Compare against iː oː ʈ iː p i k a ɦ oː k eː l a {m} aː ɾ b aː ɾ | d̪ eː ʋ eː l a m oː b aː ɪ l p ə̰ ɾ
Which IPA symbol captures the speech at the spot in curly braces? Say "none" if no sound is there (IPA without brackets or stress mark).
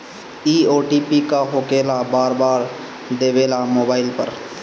b